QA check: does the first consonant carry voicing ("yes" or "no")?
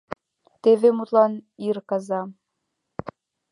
no